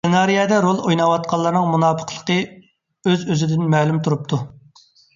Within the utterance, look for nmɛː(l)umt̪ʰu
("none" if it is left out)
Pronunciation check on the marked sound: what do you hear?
l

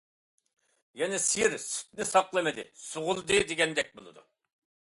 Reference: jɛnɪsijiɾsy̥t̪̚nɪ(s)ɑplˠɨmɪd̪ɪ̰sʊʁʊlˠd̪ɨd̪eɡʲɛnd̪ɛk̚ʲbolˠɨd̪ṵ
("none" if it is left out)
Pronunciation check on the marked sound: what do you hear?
s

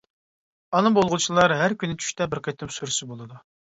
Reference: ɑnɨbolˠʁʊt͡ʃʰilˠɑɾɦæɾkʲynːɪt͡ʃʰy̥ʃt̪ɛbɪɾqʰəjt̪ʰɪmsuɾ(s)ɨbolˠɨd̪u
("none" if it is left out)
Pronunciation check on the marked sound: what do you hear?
s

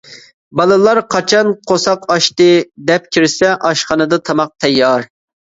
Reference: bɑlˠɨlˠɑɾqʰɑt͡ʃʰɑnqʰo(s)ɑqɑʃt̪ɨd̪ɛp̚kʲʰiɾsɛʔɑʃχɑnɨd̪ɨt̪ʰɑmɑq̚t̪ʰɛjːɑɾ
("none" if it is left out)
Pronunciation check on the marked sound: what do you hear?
s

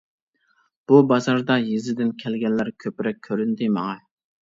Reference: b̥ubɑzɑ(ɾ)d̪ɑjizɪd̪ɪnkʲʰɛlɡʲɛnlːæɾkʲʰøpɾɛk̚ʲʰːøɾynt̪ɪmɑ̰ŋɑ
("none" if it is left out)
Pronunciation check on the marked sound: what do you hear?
ɾ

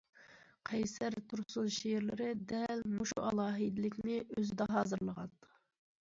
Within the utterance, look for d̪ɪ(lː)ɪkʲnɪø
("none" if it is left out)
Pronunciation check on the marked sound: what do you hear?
l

